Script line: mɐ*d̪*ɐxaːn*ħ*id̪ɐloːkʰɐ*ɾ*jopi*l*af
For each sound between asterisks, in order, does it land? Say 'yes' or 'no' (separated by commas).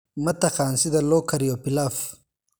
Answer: no, no, yes, yes